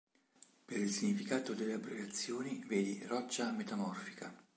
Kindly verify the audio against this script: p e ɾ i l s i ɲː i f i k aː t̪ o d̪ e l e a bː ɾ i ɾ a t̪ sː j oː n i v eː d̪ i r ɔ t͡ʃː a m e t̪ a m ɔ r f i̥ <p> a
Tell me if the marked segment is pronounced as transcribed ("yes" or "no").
no